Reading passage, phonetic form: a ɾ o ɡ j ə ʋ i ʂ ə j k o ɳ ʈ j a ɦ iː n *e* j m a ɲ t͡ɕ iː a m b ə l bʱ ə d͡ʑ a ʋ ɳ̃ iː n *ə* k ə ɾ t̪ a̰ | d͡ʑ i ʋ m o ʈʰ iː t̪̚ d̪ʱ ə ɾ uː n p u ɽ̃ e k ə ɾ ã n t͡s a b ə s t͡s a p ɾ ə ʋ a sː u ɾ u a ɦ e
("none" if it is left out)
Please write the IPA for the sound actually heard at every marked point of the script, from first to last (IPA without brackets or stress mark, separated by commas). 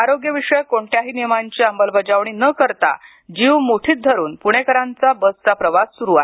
i, ə